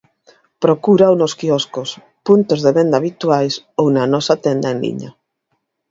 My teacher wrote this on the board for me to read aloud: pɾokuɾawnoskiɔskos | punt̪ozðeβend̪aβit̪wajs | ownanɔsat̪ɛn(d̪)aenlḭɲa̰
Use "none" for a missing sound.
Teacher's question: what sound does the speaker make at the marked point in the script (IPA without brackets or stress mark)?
d̪